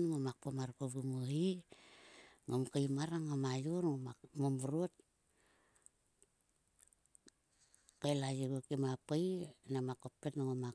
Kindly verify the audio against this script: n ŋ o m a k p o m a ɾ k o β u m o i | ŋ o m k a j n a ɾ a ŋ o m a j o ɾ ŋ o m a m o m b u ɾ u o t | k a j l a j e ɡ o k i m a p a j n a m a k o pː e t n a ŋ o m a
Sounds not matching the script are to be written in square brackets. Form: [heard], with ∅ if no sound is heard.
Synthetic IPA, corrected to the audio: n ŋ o m a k p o m a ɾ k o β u m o i | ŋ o m k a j [m] a ɾ a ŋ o m a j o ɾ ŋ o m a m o m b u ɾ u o t | k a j l a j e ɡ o k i m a p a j n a m a k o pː e t n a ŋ o m a